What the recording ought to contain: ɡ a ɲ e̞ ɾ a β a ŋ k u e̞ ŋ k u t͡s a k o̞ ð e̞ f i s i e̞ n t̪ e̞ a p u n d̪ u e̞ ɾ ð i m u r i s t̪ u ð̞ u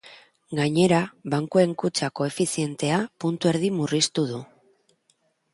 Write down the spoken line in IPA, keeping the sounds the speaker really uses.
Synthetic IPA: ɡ a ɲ e̞ ɾ a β a ŋ k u e̞ ŋ k u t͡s a k o̞ e̞ f i s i e̞ n t̪ e̞ a p u n t̪ u e̞ ɾ ð i m u r i s t̪ u ð̞ u